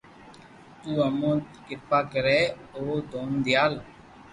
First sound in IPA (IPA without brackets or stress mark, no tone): t̪